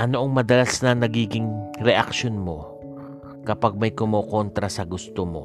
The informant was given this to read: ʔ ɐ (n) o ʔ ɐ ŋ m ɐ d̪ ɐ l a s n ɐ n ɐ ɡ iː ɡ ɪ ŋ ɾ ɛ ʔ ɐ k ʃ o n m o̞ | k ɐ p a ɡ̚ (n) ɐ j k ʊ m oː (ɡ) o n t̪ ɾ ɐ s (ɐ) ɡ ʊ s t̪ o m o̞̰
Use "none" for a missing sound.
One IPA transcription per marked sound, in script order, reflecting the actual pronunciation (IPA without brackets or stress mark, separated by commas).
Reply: n, m, k, ɐ